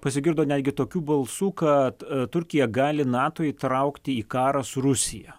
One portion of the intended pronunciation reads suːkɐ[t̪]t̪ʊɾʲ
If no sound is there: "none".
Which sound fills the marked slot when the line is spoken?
t̪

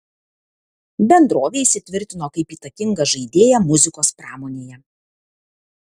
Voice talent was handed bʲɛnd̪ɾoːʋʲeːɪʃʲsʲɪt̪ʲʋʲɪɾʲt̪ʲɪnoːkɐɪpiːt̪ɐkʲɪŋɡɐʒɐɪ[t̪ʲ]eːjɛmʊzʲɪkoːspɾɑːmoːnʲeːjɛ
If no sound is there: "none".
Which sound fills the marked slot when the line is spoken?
d̪ʲ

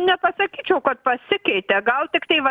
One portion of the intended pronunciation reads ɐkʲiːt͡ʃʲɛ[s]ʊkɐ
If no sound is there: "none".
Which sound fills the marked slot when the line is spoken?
none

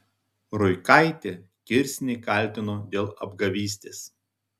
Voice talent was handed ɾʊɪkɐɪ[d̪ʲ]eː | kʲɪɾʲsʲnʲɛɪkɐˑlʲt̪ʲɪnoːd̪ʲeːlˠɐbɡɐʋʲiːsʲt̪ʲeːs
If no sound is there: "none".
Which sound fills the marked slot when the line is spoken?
t̪ʲ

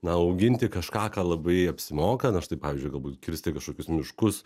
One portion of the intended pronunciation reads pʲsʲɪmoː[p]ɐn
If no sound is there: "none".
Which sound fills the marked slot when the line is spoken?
k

